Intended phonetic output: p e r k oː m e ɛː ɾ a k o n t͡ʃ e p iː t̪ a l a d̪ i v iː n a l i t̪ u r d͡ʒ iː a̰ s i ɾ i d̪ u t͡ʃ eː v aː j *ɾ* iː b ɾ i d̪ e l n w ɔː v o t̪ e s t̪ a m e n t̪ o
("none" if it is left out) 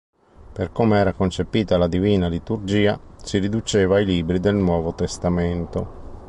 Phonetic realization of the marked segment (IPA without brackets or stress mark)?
l